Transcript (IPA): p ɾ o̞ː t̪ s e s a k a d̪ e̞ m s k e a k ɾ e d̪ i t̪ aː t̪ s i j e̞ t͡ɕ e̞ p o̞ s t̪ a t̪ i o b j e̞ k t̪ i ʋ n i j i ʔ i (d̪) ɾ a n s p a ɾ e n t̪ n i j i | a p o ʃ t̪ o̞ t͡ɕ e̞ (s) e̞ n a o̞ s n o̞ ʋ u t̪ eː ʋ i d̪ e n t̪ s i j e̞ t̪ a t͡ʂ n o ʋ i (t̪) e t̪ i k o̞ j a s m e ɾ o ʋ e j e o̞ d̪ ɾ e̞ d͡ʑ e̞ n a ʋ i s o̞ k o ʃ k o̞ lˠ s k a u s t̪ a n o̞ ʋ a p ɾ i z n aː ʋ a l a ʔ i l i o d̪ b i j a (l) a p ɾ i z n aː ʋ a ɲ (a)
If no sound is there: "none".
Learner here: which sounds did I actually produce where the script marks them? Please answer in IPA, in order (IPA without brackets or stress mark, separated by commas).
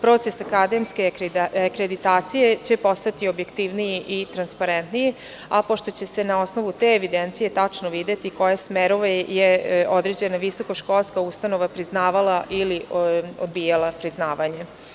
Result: t̪, s, d̪, l, e